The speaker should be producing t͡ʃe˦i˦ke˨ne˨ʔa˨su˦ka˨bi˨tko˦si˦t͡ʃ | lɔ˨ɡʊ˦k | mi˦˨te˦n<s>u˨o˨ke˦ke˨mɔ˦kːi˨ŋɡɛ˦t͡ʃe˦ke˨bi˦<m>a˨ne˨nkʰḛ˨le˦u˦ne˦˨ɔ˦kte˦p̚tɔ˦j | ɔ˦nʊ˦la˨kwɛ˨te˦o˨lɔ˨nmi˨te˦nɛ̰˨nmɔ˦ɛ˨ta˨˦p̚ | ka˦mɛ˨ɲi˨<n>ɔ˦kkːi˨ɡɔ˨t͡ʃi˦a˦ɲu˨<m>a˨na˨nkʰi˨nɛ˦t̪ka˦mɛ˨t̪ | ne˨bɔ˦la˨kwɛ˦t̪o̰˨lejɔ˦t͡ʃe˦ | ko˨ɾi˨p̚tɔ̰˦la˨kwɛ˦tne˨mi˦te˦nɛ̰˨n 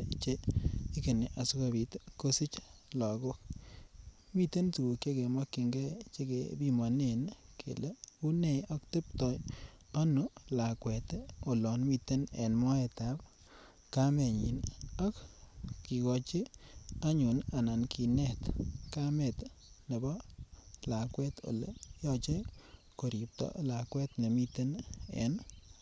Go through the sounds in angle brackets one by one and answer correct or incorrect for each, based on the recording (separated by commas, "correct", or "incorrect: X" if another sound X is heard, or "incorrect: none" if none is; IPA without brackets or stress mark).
incorrect: t, correct, correct, incorrect: n